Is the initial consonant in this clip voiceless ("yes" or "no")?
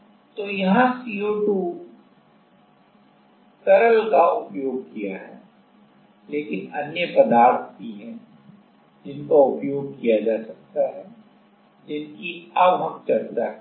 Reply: yes